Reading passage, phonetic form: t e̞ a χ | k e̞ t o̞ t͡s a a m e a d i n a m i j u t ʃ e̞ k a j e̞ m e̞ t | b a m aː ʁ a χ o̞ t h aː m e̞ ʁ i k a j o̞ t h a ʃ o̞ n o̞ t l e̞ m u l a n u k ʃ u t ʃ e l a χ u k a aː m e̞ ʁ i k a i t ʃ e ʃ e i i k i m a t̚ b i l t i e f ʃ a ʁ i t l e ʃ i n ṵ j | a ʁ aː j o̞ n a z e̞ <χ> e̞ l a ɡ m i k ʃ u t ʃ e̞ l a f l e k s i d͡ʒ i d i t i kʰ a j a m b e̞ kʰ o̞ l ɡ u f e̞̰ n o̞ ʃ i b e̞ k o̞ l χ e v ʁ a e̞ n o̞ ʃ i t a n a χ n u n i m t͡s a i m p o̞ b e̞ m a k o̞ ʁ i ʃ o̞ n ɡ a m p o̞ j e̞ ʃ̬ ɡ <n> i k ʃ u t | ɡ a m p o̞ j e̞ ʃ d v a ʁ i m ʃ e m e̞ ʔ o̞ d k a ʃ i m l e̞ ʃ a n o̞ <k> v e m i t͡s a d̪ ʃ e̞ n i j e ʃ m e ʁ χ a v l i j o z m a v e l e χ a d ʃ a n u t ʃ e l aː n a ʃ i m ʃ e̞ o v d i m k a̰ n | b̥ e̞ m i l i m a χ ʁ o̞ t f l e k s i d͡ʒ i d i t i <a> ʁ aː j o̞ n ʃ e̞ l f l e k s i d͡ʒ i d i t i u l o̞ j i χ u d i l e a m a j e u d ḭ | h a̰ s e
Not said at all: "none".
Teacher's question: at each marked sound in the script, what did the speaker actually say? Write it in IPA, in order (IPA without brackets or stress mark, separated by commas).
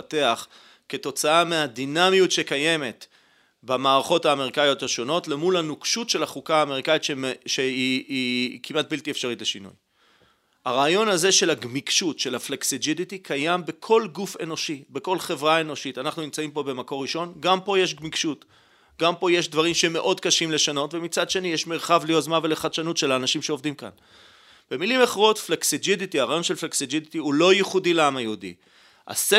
ʃ, m, t, a